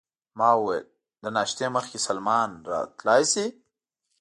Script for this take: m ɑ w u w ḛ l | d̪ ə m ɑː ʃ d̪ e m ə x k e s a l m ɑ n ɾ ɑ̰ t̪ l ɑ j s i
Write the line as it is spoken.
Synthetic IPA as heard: m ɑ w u w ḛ l | d̪ ə n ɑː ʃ t̪ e m ə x k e s a l m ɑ n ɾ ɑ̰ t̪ l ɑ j s i